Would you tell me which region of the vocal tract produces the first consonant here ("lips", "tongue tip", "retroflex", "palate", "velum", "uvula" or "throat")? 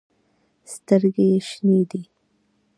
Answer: tongue tip